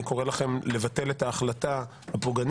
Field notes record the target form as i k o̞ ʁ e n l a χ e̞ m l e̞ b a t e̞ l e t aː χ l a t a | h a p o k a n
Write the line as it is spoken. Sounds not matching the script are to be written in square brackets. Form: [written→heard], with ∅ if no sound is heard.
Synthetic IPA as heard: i k o̞ ʁ e [n→∅] l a χ e̞ m l e̞ [b→v] a t e̞ l e t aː χ l a t a | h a p o [k→ɡ] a n

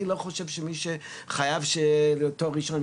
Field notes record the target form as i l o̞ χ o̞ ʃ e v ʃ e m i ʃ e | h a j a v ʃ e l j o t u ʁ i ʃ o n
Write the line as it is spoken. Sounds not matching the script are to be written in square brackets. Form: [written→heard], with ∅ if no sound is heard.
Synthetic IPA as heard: i l o̞ χ o̞ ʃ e v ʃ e m i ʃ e | [h→χ] a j a v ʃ e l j o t [u→o] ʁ i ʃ o n

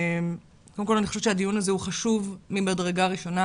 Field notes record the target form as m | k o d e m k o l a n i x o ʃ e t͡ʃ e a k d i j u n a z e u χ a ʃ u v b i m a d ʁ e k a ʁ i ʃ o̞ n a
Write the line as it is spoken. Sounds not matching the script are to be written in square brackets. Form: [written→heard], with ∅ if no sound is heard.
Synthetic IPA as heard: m | k o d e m k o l a n i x o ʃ e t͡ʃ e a [k→∅] d i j u n a z e u χ a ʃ u v [b→m] i m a d ʁ e [k→ɡ] a ʁ i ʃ o̞ n a

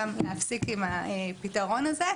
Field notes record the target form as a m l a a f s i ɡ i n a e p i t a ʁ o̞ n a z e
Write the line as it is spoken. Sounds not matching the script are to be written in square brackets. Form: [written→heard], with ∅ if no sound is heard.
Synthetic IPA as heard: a m l [a→e] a f s i [ɡ→k] i [n→m] a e p i t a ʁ o̞ n a z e

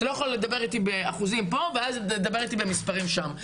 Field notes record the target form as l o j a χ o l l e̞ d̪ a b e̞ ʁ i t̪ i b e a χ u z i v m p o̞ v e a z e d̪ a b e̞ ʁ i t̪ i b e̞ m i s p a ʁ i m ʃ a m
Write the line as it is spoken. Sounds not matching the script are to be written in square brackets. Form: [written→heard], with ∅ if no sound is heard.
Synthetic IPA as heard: l o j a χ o l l e̞ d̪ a b e̞ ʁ i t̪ i b e a χ u z i [v→∅] m p o̞ v e a z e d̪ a b e̞ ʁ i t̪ i b e̞ m i s p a ʁ i m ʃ a m

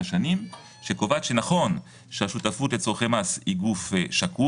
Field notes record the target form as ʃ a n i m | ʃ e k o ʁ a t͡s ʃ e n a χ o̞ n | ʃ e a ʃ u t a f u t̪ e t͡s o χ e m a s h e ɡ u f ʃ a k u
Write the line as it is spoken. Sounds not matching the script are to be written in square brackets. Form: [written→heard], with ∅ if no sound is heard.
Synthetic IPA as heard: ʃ a n i m | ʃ e k o [ʁ→v] a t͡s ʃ e n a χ o̞ n | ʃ e a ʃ u t a f u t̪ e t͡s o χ e m a s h [e→i] ɡ u f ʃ a k u

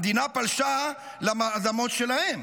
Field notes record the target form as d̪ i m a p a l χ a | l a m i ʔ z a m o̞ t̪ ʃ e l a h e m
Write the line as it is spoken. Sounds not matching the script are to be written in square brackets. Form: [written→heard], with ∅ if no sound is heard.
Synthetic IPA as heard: d̪ i [m→n] a p a l [χ→ʃ] a | l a m [i→a] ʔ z a m o̞ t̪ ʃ e l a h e m

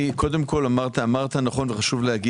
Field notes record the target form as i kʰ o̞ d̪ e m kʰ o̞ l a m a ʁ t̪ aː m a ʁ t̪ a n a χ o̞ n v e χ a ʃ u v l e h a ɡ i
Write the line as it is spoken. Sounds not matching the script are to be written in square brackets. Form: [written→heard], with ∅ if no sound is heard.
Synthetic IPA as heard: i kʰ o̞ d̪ e m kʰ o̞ l a m a ʁ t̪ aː m a ʁ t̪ a n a χ o̞ n v e χ a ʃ u v l e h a ɡ i

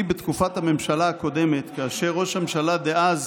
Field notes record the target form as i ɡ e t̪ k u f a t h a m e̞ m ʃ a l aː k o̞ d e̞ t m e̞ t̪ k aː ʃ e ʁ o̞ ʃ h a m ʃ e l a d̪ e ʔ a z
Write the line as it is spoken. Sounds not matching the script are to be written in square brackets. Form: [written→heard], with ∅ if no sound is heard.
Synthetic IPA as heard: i [ɡ→b] e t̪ k u f a t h a m e̞ m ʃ a l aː k o̞ d e̞ [t→∅] m e̞ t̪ k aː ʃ e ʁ o̞ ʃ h a m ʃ [e→a] l a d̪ e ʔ a z

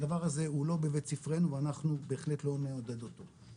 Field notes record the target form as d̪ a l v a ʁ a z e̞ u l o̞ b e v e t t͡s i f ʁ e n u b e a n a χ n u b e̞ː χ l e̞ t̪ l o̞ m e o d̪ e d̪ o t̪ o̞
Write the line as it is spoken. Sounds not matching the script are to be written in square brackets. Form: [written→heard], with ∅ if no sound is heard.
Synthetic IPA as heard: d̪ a [l→∅] v a ʁ a z e̞ u l o̞ b e v e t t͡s i f ʁ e n u [b→v] e a n a χ n u b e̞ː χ l e̞ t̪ l o̞ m e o d̪ e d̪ o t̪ o̞

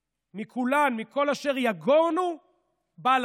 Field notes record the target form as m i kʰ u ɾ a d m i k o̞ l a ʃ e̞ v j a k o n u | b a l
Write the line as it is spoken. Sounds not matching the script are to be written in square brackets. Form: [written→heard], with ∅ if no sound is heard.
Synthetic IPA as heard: m i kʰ u [ɾ→l] a [d→n] m i k o̞ l a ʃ e̞ [v→ʁ] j a [k→ɡ] o n u | b a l

